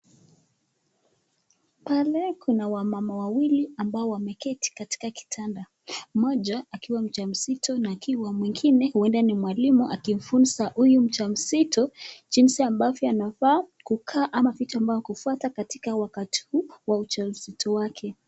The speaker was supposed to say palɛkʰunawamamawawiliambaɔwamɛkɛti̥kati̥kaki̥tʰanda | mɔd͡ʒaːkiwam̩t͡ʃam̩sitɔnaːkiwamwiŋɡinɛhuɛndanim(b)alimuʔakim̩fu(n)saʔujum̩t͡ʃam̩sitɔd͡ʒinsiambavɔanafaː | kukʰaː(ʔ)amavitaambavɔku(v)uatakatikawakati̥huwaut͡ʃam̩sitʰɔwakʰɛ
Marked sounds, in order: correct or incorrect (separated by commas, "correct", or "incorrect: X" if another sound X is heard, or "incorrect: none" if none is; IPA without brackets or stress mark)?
incorrect: w, correct, correct, incorrect: f